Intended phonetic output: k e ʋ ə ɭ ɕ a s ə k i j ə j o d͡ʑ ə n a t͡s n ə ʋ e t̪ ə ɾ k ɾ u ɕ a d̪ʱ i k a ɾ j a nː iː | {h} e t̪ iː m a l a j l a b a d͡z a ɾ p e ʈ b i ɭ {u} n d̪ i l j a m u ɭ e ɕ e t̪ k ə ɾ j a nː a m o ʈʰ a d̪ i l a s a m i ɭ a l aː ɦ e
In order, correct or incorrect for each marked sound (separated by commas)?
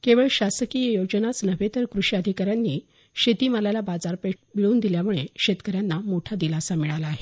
incorrect, incorrect